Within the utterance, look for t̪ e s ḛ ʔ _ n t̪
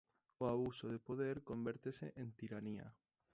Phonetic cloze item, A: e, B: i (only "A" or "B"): A